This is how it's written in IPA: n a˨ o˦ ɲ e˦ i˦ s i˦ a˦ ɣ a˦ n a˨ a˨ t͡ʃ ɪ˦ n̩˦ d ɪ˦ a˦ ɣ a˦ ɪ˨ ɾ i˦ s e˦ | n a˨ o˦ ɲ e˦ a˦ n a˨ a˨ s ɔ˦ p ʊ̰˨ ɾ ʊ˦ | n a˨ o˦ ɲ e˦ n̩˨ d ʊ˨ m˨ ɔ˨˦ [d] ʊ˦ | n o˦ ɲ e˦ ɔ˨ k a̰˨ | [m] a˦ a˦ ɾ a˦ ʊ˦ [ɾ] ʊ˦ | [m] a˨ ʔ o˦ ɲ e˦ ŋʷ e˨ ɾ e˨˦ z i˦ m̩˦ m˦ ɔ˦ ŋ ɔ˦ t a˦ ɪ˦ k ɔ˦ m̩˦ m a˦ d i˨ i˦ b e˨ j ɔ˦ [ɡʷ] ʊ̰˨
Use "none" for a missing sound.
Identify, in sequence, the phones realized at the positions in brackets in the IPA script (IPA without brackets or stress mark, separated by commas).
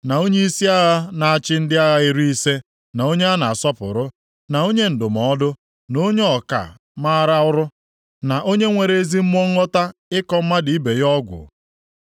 d, m, ɾ, n, ɡʷ